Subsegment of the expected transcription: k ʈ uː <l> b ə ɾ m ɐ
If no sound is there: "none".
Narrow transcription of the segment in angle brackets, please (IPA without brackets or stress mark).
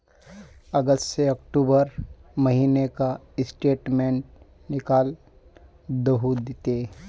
none